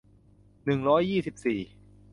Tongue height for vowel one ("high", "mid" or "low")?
high